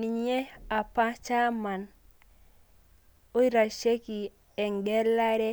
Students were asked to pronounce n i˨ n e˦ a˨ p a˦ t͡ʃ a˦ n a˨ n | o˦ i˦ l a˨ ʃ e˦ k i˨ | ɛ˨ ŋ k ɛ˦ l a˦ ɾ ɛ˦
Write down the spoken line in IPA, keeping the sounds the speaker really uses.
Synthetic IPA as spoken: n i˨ ɲ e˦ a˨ p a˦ t͡ʃ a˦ m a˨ n | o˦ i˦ ɾ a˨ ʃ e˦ k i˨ | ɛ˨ ŋ ɡ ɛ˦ l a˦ ɾ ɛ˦

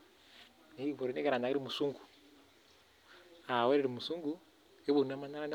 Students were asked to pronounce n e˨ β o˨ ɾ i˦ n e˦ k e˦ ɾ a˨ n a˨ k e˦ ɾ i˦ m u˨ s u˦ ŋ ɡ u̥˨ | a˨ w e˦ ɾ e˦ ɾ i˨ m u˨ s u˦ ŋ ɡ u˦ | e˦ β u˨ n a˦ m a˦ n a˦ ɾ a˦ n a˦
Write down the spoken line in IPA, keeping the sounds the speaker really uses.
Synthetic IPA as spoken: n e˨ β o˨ ɾ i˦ n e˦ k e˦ ɾ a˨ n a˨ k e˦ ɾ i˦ m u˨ s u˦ ŋ ɡ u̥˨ | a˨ w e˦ ɾ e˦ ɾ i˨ m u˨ s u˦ ŋ ɡ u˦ | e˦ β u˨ n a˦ m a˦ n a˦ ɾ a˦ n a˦

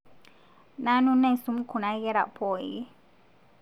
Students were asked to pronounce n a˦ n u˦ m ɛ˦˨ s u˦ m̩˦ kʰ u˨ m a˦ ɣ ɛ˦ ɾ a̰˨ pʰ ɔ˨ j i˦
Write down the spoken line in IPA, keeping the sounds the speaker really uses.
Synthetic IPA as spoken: n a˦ n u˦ n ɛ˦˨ s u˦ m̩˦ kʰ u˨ n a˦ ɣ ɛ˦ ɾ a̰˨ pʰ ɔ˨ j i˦

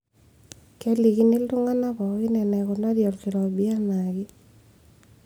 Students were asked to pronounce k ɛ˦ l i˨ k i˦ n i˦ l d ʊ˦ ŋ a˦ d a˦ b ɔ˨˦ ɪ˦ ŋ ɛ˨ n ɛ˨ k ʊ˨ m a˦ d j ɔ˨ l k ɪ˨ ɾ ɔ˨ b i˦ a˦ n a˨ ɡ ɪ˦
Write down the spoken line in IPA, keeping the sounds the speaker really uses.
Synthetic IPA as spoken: k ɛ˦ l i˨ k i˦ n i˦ l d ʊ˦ ŋ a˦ n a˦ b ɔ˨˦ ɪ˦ n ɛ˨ n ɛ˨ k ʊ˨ n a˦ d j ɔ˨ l k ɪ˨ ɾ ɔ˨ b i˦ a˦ n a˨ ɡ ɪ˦

